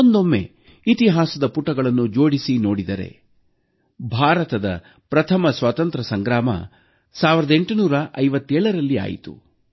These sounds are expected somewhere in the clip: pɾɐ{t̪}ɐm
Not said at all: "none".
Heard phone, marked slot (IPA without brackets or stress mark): t̪ʰ